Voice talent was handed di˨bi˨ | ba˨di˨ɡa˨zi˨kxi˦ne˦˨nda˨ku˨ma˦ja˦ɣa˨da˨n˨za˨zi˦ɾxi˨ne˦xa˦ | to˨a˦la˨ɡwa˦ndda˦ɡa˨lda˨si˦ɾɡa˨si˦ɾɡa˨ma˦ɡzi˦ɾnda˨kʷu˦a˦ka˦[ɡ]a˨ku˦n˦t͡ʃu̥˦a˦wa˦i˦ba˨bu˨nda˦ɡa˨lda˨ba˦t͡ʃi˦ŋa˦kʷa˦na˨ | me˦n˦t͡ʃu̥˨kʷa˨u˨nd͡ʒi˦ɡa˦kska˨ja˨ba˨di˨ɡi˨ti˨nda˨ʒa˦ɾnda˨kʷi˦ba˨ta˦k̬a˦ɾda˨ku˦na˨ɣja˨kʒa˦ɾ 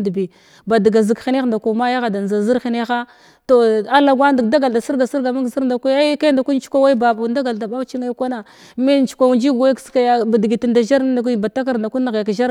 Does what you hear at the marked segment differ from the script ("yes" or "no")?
yes